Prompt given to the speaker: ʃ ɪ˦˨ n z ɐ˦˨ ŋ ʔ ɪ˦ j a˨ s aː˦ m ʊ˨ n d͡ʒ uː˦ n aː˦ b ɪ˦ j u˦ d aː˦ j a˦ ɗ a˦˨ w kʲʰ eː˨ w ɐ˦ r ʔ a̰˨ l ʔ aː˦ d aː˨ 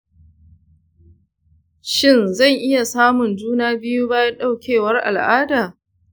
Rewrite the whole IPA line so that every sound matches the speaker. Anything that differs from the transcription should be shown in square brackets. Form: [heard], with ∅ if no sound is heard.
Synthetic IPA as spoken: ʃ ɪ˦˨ n z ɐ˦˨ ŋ ʔ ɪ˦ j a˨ s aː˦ m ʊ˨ n d͡ʒ uː˦ n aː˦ b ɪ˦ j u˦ [b] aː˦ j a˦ ɗ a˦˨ w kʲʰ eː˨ w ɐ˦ r ʔ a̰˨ l ʔ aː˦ d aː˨